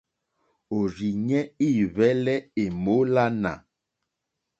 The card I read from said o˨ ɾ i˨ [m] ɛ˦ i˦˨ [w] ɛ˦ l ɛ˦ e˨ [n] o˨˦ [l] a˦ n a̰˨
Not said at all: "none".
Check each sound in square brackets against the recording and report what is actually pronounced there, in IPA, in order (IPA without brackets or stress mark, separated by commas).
ɲ, β, m, l